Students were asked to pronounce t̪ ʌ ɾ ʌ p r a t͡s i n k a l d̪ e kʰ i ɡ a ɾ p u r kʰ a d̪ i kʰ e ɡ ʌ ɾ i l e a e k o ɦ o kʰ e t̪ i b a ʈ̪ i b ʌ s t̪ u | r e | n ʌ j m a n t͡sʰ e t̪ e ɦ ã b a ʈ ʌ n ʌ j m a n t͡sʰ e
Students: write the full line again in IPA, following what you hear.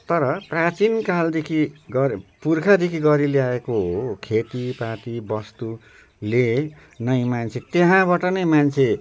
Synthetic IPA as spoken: t̪ ʌ ɾ ʌ p r a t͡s i n k a l d̪ e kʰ i ɡ ʌ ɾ p u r kʰ a d̪ e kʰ i ɡ ʌ ɾ i l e a e k o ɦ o kʰ e t̪ i p a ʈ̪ i b ʌ s t̪ u | l e | n ʌ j m a n t͡sʰ e t̪ e ɦ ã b a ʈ ʌ n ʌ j m a n t͡sʰ e